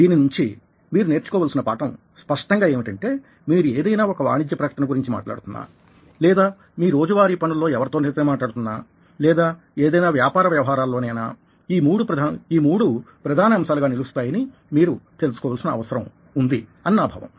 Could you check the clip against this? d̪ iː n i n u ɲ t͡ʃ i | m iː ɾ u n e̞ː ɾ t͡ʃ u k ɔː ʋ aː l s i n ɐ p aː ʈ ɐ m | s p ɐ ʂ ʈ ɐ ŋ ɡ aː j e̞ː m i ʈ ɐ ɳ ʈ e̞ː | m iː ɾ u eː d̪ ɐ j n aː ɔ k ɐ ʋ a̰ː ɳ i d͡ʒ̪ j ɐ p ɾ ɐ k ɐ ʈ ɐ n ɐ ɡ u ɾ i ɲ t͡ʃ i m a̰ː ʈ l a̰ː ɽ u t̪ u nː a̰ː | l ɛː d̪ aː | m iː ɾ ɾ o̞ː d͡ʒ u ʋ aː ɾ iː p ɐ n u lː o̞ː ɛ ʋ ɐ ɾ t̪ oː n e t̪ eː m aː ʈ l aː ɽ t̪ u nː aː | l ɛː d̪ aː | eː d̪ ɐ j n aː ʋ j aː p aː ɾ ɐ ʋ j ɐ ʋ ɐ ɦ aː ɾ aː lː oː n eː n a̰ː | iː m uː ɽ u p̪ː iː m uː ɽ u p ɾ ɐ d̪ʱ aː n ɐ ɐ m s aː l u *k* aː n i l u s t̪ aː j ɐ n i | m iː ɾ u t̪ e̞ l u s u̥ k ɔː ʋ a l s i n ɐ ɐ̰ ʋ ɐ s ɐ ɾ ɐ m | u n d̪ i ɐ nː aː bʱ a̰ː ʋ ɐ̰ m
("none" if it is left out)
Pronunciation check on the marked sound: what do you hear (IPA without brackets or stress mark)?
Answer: ɡ